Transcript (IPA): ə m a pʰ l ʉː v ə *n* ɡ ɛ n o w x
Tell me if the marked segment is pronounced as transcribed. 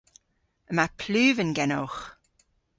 yes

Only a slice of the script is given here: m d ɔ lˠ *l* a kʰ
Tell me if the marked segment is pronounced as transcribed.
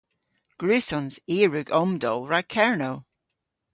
no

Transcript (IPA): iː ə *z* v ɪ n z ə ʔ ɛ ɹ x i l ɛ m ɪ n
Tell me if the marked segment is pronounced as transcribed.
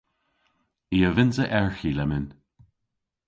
no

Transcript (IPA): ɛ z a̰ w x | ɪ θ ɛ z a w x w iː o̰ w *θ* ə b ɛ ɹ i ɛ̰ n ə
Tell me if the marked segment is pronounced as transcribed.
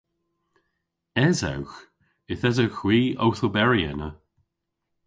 yes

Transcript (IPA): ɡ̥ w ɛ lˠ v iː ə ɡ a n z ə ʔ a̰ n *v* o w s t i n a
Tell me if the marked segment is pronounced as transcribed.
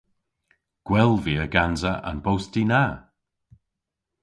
no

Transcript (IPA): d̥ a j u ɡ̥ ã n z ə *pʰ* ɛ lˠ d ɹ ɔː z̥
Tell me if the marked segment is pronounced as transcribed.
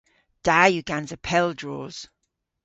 yes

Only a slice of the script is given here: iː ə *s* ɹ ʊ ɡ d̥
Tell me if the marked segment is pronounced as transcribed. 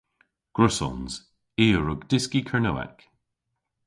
no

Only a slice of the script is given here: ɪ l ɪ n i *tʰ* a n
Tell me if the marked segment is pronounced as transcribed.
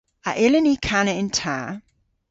no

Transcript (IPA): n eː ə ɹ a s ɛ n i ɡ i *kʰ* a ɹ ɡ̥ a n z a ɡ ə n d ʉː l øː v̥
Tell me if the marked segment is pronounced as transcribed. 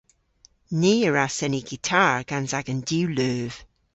no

